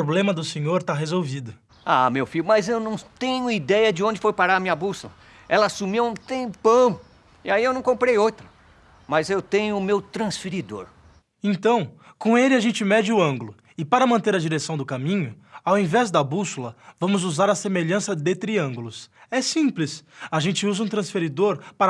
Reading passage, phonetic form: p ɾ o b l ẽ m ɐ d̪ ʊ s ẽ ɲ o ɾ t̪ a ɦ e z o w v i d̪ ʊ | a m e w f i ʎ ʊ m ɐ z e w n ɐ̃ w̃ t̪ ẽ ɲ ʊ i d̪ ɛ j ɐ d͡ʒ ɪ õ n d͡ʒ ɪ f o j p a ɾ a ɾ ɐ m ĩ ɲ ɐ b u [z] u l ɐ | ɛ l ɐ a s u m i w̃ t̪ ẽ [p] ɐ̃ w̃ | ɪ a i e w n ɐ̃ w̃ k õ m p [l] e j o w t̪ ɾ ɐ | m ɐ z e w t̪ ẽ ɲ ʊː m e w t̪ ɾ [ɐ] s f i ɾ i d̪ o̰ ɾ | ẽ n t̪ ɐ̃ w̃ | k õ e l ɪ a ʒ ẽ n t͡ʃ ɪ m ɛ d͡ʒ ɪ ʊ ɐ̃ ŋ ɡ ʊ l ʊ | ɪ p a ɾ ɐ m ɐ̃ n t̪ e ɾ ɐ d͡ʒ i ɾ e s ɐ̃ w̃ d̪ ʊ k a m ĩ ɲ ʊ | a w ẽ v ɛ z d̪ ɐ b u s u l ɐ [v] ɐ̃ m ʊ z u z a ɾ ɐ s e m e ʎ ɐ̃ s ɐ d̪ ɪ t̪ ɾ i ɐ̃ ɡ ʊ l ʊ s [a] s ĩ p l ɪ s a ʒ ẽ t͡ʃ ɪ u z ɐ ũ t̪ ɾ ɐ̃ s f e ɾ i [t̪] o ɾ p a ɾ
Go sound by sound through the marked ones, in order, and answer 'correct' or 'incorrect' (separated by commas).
incorrect, correct, incorrect, incorrect, correct, incorrect, incorrect